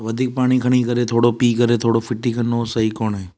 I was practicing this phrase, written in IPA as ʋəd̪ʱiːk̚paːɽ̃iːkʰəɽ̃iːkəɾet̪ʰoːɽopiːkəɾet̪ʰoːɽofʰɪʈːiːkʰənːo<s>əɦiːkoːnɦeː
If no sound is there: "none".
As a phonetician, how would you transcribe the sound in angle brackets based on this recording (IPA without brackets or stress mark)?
s